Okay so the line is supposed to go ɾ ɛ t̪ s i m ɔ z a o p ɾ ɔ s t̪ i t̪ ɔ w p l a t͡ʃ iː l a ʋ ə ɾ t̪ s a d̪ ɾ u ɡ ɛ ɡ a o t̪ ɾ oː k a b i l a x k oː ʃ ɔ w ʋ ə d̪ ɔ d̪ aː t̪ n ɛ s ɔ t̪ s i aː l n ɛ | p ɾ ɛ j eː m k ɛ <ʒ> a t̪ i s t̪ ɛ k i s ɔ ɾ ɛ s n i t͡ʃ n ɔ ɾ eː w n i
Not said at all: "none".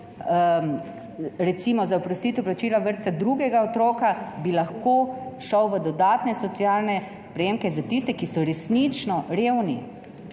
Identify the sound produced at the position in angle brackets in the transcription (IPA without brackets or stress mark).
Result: z